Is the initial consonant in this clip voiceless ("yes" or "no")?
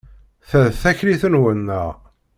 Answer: yes